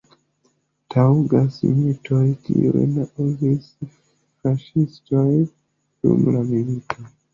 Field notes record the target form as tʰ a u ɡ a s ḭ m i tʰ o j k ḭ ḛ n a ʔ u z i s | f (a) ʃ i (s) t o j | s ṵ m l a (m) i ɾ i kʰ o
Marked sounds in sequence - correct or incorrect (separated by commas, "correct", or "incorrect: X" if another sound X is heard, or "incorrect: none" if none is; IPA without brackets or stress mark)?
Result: correct, correct, correct